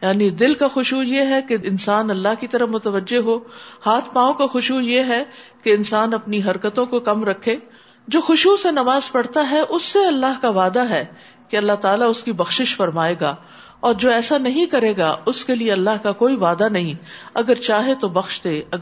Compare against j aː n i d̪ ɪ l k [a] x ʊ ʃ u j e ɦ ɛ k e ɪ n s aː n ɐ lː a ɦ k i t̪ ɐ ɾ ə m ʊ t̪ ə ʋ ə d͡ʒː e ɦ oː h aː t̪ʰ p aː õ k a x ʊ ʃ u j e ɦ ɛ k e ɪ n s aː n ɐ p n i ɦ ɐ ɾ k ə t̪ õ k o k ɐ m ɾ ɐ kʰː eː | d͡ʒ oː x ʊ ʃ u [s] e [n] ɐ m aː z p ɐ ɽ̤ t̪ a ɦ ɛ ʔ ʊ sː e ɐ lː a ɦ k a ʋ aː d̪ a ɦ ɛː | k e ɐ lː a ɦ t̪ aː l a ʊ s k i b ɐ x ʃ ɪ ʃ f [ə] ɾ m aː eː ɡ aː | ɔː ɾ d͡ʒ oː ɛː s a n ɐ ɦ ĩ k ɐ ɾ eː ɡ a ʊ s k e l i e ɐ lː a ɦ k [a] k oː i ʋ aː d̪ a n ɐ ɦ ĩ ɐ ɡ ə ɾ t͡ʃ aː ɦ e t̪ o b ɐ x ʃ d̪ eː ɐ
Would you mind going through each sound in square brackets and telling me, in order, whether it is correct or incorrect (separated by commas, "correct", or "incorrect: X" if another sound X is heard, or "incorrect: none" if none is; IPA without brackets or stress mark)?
correct, correct, correct, incorrect: ɐ, correct